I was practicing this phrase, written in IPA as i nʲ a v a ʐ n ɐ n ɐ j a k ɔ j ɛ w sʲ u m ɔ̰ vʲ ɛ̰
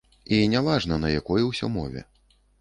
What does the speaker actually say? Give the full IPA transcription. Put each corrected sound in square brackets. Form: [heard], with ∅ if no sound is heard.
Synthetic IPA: i nʲ a v a ʐ n ɐ n ɐ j a k ɔ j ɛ w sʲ [ɔ] m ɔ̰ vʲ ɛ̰